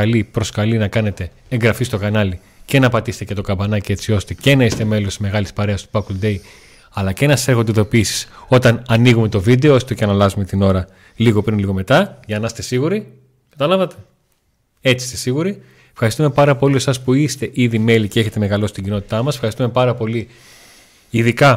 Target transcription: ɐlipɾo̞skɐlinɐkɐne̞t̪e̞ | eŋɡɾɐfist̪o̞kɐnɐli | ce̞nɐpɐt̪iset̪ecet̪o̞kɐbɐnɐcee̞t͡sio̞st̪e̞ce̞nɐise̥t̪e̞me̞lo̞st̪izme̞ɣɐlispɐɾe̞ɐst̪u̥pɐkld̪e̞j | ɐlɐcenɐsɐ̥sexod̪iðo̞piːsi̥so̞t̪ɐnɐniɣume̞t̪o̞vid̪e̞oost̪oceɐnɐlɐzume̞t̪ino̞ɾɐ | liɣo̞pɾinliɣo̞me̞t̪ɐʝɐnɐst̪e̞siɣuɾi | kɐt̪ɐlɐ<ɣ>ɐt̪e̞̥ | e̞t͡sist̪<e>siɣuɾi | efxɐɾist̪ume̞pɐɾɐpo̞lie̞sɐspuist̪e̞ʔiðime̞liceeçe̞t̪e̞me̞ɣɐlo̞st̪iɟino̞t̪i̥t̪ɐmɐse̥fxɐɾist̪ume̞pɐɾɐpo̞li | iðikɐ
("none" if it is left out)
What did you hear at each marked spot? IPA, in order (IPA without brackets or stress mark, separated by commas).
v, e